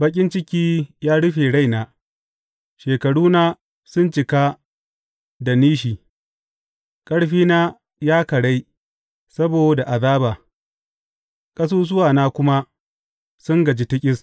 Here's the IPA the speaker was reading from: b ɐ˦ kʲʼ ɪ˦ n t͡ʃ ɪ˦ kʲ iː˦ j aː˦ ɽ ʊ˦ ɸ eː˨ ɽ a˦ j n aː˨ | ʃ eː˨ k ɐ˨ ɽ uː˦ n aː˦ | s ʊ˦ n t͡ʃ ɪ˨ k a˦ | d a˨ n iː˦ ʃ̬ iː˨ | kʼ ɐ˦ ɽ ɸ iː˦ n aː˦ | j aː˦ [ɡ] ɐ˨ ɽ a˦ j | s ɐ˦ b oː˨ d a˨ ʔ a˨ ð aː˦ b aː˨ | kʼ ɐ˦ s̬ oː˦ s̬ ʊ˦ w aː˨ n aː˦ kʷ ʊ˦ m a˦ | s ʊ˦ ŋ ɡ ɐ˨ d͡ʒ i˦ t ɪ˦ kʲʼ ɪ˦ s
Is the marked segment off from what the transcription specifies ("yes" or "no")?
yes